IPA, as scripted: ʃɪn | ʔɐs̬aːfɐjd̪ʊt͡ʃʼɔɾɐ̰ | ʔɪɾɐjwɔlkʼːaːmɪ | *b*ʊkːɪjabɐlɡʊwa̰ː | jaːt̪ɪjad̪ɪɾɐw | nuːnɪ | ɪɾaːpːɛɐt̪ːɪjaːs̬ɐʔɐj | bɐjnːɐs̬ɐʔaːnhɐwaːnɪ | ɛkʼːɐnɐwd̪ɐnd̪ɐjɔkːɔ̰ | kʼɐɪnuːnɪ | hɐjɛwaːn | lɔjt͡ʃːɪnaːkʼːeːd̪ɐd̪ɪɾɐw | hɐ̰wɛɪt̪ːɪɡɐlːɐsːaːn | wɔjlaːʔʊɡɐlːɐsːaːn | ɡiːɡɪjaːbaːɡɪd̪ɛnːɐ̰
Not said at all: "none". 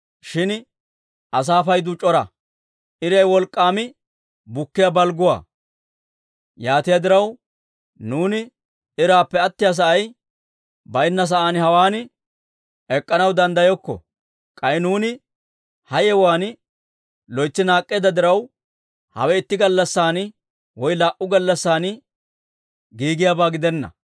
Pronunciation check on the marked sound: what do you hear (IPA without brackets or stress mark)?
b